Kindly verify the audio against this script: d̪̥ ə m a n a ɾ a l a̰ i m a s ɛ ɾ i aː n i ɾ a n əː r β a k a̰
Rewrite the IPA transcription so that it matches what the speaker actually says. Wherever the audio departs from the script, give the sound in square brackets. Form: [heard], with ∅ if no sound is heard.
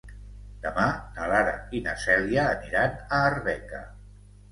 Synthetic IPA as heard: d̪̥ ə m a n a [l] a [ɾ] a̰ i [n] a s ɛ [l] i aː n i ɾ a n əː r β [ɛ] k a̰